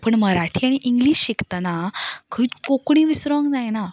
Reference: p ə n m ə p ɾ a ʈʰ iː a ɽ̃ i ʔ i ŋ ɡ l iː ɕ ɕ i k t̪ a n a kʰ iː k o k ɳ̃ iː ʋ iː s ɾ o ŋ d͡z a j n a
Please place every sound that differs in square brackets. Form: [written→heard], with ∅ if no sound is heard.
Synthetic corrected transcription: p ə [n→ɳ] m ə [p→∅] ɾ a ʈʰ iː a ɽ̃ i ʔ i ŋ ɡ l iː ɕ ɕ i k t̪ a n a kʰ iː k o k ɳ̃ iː ʋ [iː→i] s ɾ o ŋ d͡z a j n a